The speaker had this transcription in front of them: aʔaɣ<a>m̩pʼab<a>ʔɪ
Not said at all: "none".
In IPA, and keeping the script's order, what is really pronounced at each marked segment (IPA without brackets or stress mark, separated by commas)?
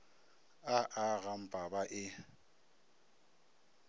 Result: a, a